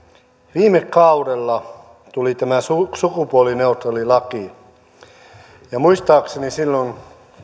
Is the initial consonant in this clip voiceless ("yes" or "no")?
no